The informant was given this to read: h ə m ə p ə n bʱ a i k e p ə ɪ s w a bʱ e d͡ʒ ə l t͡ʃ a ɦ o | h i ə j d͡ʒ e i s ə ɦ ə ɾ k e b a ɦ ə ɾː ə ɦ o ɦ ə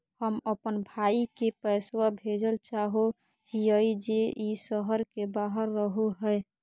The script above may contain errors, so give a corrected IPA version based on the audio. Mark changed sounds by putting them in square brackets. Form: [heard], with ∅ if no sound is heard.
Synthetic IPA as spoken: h ə m ə p ə n bʱ a i k e p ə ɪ s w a bʱ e d͡ʒ ə l t͡ʃ a ɦ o | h i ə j d͡ʒ e i s ə ɦ ə ɾ k e b a ɦ ə ɾː ə ɦ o ɦ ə